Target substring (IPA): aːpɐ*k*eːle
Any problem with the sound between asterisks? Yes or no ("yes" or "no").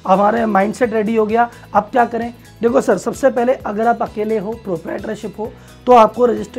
no